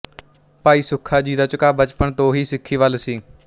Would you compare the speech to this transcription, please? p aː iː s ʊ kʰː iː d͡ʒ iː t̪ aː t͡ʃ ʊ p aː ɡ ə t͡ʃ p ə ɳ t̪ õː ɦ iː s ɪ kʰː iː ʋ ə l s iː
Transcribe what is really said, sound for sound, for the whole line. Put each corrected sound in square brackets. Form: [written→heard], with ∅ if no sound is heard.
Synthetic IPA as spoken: p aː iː s ʊ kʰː [iː→aː] d͡ʒ iː [t̪→d̪] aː t͡ʃ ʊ [p→k] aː [ɡ→b] ə t͡ʃ p ə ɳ t̪ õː ɦ iː s ɪ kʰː iː ʋ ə l s iː